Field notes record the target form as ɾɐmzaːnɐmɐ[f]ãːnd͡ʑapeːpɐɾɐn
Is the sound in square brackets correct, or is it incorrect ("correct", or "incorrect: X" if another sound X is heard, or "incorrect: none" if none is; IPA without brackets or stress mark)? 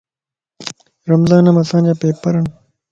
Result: incorrect: s